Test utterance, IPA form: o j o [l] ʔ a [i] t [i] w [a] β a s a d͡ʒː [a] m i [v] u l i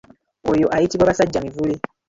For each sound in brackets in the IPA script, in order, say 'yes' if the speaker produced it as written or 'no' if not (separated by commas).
no, yes, yes, yes, yes, yes